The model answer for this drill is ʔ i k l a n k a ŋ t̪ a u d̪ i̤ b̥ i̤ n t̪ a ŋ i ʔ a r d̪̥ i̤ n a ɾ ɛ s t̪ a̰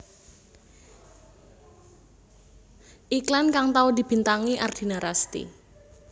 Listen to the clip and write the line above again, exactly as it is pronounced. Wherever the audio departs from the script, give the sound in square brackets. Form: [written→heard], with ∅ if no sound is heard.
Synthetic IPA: ʔ i k l a n k a ŋ t̪ a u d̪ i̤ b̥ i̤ n t̪ a ŋ i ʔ a r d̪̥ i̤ n a ɾ [ɛ→a] s t̪ [a̰→ḭ]